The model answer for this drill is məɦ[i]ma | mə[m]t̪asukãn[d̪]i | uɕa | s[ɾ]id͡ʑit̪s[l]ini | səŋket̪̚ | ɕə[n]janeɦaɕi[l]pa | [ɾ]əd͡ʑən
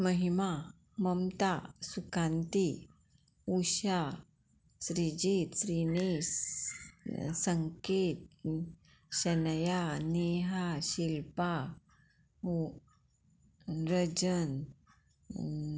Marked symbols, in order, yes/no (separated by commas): yes, yes, no, yes, no, yes, yes, yes